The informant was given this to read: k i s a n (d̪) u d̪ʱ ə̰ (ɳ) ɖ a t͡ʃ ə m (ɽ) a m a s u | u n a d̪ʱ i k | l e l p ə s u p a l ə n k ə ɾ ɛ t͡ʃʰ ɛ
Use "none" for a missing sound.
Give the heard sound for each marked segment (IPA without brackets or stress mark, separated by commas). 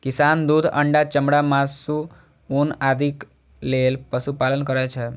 d̪, ɳ, ɽ